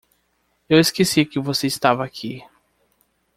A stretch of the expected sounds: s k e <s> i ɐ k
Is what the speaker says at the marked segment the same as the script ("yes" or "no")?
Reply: yes